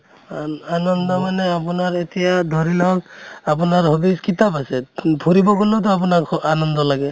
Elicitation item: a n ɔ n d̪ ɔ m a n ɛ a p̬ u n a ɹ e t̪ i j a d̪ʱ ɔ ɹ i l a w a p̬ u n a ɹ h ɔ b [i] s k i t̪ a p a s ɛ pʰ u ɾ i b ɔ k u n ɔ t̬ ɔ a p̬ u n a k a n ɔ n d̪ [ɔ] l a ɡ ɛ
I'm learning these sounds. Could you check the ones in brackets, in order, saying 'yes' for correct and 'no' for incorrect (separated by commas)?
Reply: yes, yes